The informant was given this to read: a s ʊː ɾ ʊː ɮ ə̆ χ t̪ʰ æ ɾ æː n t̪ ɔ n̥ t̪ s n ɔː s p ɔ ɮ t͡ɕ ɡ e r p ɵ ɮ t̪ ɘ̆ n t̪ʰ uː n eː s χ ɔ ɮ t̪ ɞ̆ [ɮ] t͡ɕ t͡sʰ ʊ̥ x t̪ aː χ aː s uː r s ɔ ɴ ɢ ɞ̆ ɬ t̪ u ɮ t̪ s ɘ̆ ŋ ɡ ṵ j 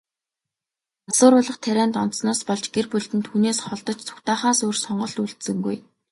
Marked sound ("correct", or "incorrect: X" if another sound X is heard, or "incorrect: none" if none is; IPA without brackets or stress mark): incorrect: none